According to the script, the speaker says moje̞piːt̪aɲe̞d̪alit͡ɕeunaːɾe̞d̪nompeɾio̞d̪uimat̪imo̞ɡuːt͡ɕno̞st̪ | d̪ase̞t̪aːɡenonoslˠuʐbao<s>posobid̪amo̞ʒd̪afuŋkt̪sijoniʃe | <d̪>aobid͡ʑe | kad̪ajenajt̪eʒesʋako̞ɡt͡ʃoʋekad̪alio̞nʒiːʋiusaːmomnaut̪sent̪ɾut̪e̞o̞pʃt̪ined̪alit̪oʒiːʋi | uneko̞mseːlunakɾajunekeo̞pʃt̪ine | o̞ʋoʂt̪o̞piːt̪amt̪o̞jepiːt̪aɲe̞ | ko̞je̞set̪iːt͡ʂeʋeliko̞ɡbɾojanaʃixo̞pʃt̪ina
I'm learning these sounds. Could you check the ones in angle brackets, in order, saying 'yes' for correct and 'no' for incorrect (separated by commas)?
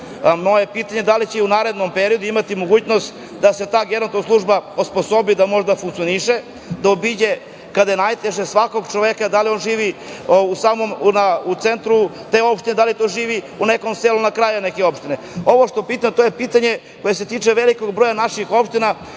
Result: yes, yes